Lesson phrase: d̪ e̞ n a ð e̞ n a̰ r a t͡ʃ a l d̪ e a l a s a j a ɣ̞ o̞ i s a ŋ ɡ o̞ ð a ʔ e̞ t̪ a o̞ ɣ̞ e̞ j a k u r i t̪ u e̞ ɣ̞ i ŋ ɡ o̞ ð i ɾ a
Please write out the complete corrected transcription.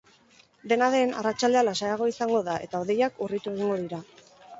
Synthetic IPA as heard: d̪ e̞ n a ð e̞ n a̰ r a t͡ʃ a l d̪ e a l a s a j a ɣ̞ o̞ i s a ŋ ɡ o̞ ð a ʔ e̞ t̪ a o̞ ð̞ e̞ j a k u r i t̪ u e̞ ɣ̞ i ŋ ɡ o̞ ð i ɾ a